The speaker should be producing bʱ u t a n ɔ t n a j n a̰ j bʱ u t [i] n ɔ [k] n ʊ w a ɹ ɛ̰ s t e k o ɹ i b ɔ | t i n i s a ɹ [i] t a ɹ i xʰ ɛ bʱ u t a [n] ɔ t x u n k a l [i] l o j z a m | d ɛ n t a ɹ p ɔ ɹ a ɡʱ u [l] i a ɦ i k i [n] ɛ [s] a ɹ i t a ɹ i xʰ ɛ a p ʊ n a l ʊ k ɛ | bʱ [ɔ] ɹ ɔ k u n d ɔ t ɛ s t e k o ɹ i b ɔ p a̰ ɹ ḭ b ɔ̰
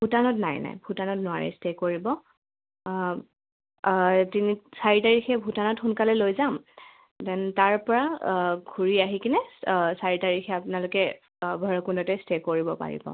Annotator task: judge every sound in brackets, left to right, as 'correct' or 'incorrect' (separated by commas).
incorrect, incorrect, correct, correct, incorrect, incorrect, correct, correct, correct